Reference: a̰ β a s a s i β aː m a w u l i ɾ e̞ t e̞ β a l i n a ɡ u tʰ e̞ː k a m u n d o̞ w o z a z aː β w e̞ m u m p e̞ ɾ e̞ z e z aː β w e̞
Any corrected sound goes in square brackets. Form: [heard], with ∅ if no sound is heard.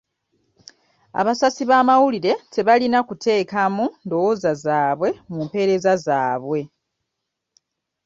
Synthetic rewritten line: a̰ β a s a s i β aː m a w u l i ɾ e̞ t e̞ β a l i n a [k] u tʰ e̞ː k a m u n d o̞ w o z a z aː β w e̞ m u m p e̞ ɾ e̞ z [a] z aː β w e̞